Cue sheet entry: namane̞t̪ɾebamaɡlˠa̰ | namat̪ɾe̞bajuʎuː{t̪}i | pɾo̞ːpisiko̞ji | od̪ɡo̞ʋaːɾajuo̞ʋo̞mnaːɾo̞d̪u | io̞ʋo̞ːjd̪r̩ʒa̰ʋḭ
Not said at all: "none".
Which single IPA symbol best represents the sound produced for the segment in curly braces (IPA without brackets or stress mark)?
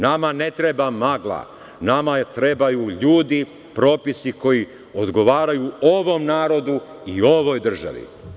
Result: d̪